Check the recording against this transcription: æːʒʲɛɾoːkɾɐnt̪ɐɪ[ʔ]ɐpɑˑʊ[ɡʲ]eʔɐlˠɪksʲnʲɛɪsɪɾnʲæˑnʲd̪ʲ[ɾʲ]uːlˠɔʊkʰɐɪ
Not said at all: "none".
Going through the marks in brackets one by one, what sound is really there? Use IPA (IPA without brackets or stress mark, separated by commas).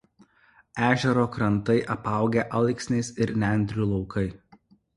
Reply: ʔ, ɡʲ, ɾʲ